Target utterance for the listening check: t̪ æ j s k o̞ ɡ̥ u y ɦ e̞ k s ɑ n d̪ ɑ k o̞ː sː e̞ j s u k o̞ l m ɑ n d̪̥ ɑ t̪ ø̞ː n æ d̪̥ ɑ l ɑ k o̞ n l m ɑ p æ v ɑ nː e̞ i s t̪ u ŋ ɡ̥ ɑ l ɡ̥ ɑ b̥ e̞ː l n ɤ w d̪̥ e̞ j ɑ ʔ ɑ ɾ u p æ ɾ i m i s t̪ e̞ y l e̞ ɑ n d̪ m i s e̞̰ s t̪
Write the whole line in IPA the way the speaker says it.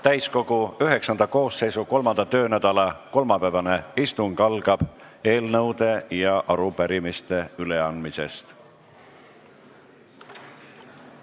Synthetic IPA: t̪ æ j s k o̞ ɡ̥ u y ɦ e̞ k s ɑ n d̪ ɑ k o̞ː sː e̞ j s u k o̞ l m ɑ n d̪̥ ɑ t̪ ø̞ː n æ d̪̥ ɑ l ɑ k o̞ l m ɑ p æ v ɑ n e̞ i s t̪ u ŋ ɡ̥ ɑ l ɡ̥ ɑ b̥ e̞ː l n ɤ w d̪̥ e̞ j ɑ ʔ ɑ ɾ u p æ ɾ i m i s t̪ e̞ y l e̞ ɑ n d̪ m i s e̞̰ s t̪